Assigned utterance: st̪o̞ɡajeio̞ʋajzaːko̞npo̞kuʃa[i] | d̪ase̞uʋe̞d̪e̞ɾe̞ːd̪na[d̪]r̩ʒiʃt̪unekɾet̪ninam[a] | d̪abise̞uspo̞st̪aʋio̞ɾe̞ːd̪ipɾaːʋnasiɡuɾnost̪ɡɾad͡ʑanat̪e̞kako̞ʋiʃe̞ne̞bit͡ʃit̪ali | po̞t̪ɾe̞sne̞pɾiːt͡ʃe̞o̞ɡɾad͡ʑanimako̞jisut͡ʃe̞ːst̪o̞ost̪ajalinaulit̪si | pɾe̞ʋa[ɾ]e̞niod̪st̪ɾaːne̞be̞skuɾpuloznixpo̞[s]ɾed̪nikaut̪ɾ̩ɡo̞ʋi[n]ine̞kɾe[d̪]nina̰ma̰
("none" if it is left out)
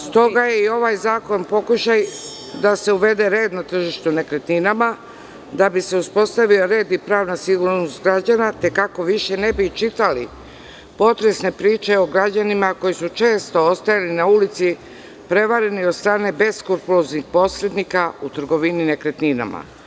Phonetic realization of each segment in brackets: j, t̪, a, ɾ, s, n, t̪

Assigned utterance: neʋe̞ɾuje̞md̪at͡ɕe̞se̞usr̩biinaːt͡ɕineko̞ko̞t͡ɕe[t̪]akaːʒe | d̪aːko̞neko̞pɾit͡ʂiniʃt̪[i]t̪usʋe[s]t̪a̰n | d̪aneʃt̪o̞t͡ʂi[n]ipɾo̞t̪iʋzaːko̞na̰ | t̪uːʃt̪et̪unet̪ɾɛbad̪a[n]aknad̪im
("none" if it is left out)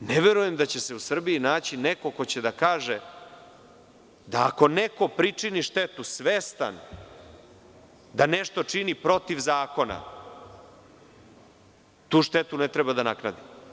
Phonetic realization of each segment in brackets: d̪, e, s, n, n

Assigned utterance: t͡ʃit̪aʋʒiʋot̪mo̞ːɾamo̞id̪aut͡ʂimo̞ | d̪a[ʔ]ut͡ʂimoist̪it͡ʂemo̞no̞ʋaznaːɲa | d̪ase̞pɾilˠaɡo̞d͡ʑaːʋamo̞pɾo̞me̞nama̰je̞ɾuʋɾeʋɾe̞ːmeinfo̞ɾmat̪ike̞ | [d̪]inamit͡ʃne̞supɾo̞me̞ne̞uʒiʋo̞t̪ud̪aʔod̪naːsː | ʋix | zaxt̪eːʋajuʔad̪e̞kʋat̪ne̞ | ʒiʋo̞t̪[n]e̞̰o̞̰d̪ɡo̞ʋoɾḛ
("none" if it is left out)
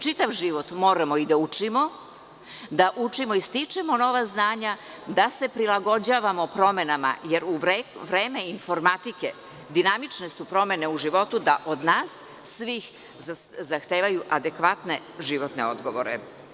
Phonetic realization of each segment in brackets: ʔ, d̪, n

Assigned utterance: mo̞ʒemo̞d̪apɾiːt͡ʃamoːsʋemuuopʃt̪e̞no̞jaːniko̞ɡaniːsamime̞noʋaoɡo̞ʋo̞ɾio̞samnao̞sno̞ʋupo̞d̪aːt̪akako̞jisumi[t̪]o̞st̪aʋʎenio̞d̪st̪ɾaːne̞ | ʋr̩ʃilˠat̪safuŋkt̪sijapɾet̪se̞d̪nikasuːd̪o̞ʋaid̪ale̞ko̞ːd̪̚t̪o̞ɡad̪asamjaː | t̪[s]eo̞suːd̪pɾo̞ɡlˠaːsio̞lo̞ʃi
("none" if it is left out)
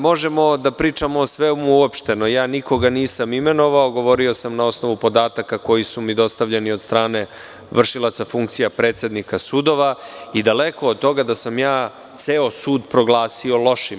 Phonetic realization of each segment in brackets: d̪, s

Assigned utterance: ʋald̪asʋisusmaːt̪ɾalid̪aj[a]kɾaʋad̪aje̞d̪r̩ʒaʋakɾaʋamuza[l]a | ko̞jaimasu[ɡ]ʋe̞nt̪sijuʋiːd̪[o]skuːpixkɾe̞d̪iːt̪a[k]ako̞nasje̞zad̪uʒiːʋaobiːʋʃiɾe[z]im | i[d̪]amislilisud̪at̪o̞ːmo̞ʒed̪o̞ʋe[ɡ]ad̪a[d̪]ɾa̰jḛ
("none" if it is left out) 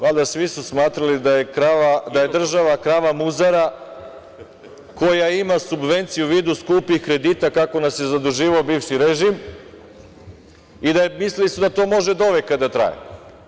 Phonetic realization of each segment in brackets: e, ɾ, b, u, k, ʒ, d̪, k, t̪

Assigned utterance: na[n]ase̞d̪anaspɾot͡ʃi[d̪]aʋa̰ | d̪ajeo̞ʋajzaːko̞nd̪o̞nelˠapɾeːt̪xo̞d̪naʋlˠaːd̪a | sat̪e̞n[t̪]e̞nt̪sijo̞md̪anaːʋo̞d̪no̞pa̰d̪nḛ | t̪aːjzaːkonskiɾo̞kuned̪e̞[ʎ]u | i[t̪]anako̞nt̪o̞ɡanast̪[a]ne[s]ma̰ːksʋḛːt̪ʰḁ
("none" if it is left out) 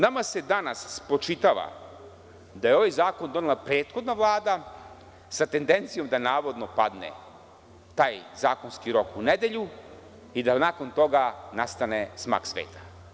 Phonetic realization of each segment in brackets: m, t̪, d̪, ʎ, d̪, a, s

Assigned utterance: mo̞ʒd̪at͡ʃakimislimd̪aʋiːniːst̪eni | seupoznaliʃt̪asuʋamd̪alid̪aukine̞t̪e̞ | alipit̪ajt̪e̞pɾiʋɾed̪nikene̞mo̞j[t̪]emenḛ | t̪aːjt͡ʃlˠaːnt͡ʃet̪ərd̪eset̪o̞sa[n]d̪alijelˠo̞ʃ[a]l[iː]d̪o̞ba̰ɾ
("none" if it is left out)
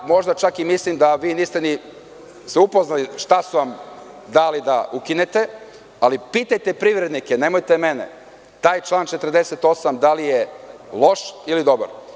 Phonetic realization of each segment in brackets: t̪, m, i, i

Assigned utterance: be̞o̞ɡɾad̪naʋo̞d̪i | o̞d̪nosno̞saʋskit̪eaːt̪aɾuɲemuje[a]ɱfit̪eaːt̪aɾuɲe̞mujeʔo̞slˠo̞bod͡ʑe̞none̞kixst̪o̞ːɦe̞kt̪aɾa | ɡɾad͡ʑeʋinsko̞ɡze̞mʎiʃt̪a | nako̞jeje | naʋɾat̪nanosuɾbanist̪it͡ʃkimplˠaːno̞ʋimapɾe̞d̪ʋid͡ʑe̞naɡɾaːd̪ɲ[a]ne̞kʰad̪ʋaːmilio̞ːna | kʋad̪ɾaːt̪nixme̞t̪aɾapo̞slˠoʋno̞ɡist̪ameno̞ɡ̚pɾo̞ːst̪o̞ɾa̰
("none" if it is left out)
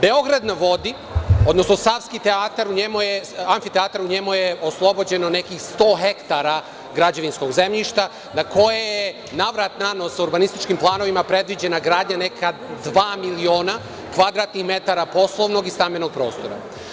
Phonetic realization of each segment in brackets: a, a

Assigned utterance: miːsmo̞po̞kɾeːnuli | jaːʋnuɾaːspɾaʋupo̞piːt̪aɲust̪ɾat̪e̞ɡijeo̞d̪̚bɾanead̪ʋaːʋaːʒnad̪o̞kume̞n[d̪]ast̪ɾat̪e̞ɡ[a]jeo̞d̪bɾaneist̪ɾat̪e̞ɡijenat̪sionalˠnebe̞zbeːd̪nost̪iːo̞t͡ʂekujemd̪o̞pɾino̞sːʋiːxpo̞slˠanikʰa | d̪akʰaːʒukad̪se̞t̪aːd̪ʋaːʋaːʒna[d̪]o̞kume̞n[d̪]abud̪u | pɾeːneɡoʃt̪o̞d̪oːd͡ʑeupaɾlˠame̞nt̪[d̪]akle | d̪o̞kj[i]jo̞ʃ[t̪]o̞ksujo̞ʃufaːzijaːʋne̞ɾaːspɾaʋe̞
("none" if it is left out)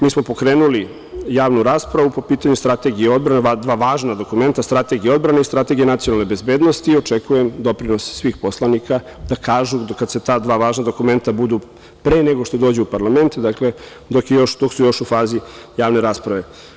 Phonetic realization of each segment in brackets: t̪, i, d̪, t̪, d̪, e, d̪

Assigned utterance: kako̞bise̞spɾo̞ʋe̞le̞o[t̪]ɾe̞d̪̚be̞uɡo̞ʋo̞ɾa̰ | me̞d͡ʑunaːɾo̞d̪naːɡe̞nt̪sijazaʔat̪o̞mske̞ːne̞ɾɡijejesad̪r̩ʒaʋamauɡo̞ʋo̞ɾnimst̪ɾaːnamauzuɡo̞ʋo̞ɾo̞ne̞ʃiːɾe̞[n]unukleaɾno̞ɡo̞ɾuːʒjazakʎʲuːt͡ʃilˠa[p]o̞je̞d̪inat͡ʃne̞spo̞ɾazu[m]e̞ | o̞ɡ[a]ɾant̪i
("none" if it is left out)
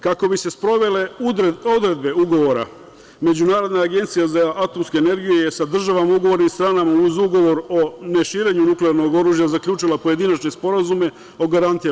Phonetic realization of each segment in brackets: d̪, ɲ, p, m, a

